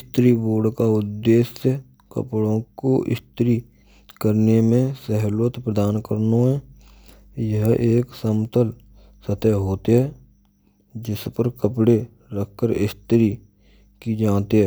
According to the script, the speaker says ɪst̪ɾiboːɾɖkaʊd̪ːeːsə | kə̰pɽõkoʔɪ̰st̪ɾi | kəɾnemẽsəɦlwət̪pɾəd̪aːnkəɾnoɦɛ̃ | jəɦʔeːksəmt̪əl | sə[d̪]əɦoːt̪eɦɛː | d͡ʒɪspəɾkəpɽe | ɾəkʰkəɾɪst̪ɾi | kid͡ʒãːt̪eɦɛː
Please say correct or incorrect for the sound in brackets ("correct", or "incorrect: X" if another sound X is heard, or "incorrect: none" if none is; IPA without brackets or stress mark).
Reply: incorrect: t̪